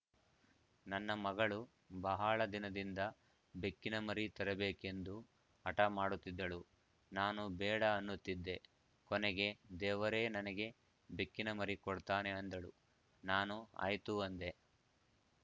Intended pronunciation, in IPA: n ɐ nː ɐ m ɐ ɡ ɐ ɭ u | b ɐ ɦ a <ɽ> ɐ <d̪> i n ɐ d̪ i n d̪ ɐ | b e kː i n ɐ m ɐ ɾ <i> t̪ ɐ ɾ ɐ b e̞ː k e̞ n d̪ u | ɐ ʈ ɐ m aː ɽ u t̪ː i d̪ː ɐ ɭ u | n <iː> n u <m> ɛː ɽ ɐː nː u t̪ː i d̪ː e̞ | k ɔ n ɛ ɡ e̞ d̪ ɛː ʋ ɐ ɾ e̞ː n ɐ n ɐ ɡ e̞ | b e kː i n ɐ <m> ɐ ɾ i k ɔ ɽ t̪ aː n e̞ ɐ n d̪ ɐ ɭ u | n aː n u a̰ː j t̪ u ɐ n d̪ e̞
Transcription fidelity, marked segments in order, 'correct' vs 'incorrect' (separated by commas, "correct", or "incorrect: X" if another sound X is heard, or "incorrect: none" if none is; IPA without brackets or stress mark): incorrect: ɭ, correct, correct, incorrect: aː, incorrect: b, correct